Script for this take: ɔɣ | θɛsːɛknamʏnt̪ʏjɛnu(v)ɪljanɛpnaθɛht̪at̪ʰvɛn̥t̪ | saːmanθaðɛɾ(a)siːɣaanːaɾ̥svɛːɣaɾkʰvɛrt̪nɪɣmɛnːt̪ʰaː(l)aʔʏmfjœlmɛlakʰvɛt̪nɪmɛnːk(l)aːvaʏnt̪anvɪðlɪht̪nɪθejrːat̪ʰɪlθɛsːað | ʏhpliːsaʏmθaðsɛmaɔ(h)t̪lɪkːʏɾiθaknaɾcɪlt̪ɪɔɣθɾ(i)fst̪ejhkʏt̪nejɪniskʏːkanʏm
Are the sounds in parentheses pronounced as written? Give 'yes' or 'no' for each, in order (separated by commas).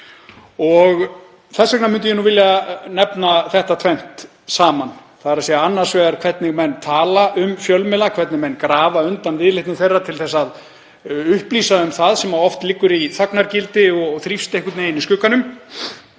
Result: yes, yes, yes, no, no, yes